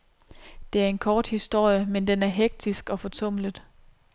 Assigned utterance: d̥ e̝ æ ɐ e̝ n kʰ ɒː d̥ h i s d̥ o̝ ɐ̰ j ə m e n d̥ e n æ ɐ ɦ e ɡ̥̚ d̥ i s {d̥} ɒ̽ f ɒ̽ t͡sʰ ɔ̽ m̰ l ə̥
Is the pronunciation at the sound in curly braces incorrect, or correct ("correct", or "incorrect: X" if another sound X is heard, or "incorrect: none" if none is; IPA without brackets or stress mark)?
incorrect: ɡ̥